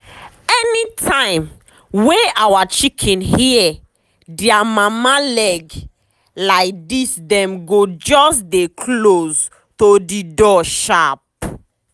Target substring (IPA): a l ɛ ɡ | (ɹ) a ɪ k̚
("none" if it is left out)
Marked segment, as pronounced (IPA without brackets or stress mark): l